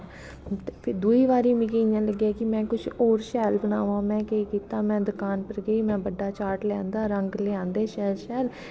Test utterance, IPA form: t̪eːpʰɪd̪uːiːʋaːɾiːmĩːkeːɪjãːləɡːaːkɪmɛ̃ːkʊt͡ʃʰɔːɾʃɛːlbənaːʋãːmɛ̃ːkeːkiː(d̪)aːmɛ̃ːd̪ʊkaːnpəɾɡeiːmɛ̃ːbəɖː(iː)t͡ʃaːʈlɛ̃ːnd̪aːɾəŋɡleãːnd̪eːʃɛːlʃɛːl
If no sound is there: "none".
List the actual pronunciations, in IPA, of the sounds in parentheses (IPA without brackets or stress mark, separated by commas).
t̪, aː